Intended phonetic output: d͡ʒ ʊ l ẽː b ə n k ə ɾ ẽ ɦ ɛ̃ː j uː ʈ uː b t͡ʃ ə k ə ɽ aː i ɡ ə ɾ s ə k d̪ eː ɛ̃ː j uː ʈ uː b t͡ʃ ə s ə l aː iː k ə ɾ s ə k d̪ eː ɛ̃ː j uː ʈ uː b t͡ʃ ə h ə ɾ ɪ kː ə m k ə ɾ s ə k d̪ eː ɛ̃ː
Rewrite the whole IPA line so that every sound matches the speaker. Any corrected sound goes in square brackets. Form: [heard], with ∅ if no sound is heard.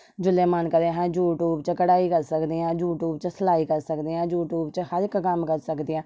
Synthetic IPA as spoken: d͡ʒ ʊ l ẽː [m] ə n k ə ɾ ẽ ɦ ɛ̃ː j uː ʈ uː b t͡ʃ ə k ə ɽ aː i [k] ə ɾ s ə k d̪ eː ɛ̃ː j uː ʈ uː b t͡ʃ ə s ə l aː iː k ə ɾ s ə k d̪ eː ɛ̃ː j uː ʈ uː b t͡ʃ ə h ə ɾ ɪ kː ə m k ə ɾ s ə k d̪ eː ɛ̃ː